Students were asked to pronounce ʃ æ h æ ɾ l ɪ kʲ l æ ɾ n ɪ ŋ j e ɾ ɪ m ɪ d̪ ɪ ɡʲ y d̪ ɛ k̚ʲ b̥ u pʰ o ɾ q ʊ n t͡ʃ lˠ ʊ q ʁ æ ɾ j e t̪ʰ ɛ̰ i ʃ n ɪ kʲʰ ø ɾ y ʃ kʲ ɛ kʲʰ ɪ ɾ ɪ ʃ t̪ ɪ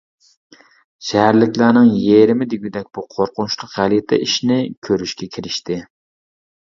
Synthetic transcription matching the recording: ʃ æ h æ ɾ l ɪ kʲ l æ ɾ n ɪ ŋ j e ɾ ɪ m ɪ d̪ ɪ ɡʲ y d̪ ɛ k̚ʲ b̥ u qʰ o ɾ q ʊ n t͡ʃ lˠ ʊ q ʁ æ l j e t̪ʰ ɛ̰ i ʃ n ɪ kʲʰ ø ɾ y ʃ kʲ ɛ kʲʰ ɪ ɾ ɪ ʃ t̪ ɪ